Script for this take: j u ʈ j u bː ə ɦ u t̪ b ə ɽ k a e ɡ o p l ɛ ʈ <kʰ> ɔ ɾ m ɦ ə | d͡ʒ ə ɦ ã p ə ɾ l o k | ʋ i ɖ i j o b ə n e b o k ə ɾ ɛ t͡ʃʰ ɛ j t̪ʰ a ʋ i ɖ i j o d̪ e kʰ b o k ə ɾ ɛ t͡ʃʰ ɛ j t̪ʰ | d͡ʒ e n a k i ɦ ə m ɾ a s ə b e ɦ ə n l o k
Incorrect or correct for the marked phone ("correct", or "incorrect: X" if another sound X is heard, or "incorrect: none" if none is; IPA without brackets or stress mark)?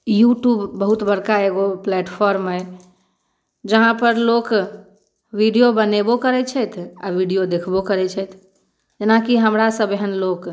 incorrect: pʰ